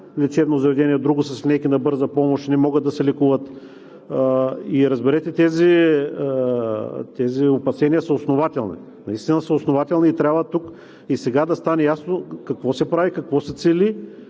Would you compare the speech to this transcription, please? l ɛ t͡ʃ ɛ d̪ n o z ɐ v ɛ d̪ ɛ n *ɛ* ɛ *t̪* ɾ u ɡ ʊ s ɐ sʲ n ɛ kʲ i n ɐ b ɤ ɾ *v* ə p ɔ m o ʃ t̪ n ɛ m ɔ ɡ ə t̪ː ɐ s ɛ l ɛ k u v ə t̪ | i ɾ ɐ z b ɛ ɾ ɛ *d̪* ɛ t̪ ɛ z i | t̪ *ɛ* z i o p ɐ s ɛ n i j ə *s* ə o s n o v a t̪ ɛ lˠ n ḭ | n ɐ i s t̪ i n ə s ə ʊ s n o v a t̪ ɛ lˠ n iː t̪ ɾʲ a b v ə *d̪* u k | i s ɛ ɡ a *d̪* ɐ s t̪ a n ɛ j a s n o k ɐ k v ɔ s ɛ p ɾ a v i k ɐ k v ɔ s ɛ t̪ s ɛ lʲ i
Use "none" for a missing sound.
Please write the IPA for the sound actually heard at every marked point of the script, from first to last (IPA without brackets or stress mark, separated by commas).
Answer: i, d̪, z, t̪, ɛ, s, t̪, d̪